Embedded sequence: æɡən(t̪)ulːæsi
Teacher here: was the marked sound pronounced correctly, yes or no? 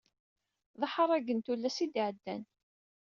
yes